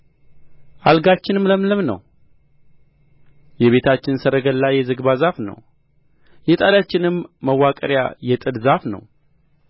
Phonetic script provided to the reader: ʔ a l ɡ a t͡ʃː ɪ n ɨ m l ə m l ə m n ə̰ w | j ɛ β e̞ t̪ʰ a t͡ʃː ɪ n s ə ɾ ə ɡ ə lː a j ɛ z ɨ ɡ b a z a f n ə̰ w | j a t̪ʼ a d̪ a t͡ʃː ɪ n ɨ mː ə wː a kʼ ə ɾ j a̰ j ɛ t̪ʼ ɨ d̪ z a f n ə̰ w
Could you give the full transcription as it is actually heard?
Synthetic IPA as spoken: ʔ a l ɡ a t͡ʃː ɪ n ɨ m l ə m l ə m n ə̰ w | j ɛ β e̞ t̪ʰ a t͡ʃː ɪ n s ə ɾ ə ɡ ə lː a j ɛ z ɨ ɡ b a z a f n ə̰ w | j ɛ t̪ʼ a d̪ a t͡ʃː ɪ n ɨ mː ə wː a kʼ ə ɾ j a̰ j ɛ t̪ʼ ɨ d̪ z a f n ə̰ w

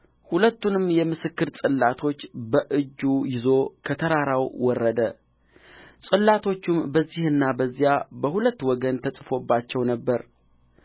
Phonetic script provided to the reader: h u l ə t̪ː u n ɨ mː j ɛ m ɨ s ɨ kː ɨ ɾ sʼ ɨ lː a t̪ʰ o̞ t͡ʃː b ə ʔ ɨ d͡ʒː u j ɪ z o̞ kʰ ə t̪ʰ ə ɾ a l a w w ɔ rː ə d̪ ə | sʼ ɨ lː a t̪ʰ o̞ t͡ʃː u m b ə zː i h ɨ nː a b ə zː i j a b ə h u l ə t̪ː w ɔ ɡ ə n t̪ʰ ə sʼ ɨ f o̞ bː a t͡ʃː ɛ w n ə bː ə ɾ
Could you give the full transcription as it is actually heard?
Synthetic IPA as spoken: h u l ə t̪ː u n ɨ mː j ɛ m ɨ s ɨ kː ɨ ɾ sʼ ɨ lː a t̪ʰ o̞ t͡ʃː b ə ʔ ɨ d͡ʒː u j ɪ z o̞ kʰ ə t̪ʰ ə ɾ a ɾ a w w ɔ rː ə d̪ ə | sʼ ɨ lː a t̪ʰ o̞ t͡ʃː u m b ə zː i h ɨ nː a b ə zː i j a b ə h u l ə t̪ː w ɔ ɡ ə n t̪ʰ ə sʼ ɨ f o̞ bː a t͡ʃː ɛ w n ə bː ə ɾ

